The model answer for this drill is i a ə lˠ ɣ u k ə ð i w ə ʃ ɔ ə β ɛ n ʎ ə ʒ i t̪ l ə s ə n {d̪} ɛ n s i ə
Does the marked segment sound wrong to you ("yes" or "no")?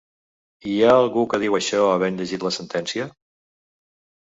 yes